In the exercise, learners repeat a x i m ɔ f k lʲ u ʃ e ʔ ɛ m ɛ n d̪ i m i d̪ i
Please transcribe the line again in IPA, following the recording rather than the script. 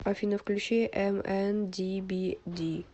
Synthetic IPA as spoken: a f i n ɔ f k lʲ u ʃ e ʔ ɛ m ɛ n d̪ i b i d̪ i